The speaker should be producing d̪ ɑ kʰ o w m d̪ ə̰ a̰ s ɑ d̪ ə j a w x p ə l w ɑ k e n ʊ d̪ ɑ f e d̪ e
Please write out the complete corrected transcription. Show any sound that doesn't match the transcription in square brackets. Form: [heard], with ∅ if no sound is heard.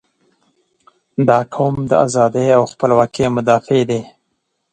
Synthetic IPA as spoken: d̪ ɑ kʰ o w m d̪ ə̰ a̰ [z] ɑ d̪ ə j a w x p ə l w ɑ k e [m] ʊ d̪ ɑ f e d̪ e